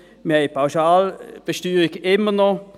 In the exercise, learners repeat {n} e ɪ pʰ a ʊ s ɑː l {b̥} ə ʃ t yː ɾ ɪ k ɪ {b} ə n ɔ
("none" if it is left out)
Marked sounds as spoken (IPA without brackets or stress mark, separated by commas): m, b̥, m